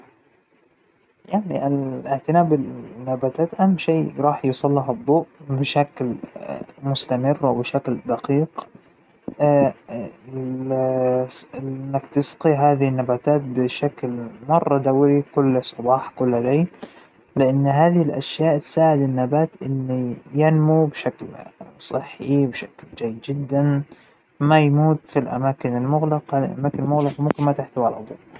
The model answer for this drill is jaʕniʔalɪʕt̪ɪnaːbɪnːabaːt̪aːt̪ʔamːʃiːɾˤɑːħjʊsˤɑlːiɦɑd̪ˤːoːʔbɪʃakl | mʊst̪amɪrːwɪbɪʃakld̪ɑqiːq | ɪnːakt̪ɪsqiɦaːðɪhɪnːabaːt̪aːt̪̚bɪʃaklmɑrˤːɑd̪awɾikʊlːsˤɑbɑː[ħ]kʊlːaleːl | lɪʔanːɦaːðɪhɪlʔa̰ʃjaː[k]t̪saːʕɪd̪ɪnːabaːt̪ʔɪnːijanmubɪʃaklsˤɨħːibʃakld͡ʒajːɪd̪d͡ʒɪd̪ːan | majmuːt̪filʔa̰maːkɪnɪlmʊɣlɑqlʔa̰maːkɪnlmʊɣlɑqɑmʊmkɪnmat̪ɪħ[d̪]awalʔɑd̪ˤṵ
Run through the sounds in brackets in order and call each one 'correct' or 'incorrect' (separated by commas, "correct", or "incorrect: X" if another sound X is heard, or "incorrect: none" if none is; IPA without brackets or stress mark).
correct, incorrect: ʔ, incorrect: t̪